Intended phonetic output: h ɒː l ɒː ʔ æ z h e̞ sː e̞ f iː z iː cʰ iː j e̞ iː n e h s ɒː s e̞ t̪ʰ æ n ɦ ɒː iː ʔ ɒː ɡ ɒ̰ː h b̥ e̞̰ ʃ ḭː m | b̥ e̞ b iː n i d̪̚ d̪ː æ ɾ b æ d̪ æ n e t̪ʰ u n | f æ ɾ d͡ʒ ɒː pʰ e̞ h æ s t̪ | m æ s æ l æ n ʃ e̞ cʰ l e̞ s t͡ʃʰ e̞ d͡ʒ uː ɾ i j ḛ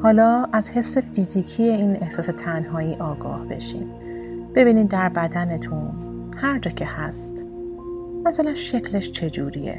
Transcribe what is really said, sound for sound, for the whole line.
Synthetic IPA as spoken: h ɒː l ɒː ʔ æ z h e̞ sː e̞ f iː z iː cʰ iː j e̞ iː n e h s ɒː s e̞ t̪ʰ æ n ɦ ɒː iː ʔ ɒː ɡ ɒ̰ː h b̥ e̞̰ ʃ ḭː m | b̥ e̞ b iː n i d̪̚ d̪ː æ ɾ b æ d̪ æ n e t̪ʰ u n | h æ ɾ d͡ʒ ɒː cʰ e̞ h æ s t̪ | m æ s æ l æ n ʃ e̞ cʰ l e̞ ʃ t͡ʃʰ e̞ d͡ʒ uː ɾ i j ḛ